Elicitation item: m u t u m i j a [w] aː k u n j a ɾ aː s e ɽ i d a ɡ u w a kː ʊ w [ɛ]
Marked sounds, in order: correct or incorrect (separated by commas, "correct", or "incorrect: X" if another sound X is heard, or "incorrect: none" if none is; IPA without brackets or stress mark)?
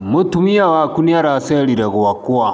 correct, incorrect: a